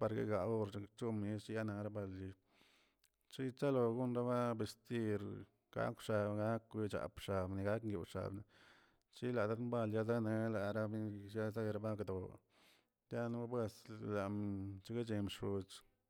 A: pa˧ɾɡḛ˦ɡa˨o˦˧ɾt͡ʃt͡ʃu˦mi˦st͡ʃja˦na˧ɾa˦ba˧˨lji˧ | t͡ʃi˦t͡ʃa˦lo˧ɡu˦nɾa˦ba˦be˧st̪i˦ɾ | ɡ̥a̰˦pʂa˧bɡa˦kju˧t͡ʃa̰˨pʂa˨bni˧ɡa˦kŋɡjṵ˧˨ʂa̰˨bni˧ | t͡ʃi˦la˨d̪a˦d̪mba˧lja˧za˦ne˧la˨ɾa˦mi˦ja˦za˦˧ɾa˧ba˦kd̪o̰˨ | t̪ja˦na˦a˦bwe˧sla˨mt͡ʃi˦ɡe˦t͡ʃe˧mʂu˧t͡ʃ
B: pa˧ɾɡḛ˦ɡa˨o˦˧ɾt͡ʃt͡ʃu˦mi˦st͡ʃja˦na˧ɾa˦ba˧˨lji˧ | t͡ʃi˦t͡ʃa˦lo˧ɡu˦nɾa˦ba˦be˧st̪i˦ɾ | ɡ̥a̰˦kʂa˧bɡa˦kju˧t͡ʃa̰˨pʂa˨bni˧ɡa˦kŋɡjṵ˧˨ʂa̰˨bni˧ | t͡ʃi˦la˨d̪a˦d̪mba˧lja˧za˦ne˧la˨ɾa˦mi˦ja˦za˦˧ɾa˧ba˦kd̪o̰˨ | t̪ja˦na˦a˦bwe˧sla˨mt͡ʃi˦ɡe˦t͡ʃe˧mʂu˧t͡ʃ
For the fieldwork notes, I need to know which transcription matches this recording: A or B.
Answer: B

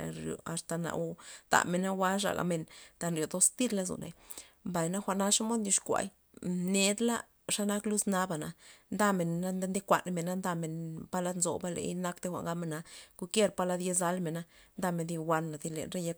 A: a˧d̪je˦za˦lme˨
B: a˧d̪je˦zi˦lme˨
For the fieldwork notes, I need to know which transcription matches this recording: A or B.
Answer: A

